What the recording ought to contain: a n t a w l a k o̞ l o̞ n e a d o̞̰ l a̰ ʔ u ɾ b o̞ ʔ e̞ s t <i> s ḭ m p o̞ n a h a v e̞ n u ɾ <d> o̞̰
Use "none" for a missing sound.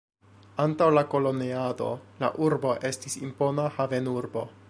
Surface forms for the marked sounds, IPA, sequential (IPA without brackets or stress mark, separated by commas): i, b